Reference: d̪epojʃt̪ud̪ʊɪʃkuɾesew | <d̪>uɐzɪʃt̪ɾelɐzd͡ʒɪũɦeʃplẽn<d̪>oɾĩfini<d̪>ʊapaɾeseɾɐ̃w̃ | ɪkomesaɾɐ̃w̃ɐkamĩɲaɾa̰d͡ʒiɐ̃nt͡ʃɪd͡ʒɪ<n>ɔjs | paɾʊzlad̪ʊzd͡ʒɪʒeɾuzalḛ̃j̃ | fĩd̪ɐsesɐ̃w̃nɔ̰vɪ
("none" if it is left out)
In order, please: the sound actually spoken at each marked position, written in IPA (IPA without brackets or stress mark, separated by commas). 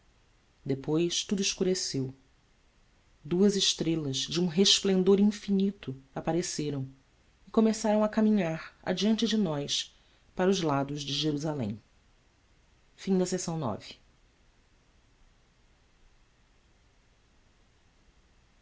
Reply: d̪, d̪, t̪, n